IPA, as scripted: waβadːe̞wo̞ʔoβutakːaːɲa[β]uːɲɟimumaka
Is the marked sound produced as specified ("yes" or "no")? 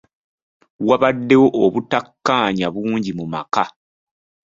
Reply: yes